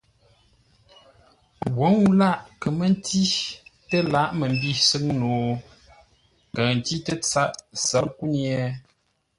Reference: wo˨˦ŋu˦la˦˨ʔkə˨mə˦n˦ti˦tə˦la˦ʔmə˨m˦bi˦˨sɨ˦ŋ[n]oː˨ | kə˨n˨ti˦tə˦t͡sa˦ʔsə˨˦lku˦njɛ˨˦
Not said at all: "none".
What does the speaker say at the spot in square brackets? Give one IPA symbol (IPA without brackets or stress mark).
n